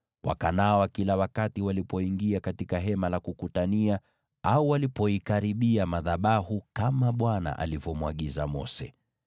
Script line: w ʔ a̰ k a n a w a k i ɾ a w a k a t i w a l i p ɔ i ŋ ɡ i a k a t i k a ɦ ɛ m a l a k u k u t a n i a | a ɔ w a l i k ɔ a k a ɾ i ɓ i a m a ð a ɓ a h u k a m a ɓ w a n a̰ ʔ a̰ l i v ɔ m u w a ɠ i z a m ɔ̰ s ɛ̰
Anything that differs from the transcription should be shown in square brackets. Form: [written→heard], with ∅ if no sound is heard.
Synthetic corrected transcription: w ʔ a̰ k a n a w a k i [ɾ→l] a w a k a t i w a l i p ɔ i ŋ ɡ i a k a t i k a ɦ ɛ m a l a k u k u t a n i a | a [ɔ→u] w a l i [k→p] ɔ [a→i] k a ɾ i ɓ i a m a ð a ɓ a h u k a m a ɓ w a n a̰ ʔ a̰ l i v ɔ m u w a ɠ i z a m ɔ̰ s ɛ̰